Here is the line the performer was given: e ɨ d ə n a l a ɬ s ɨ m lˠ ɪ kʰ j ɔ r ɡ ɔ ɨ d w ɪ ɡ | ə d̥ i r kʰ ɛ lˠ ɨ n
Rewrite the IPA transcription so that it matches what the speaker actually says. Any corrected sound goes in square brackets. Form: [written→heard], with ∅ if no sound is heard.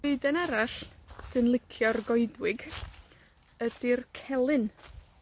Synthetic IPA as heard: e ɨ d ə n a [l→ɾ] a ɬ s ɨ [m→n] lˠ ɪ kʰ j ɔ r ɡ ɔ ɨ d w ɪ ɡ | ə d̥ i r kʰ ɛ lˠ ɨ n